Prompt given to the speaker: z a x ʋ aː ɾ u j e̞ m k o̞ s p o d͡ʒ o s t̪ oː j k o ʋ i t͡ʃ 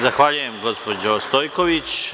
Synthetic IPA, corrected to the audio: z a x ʋ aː ʎ u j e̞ m ɡ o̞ s p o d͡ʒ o s t̪ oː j k o ʋ i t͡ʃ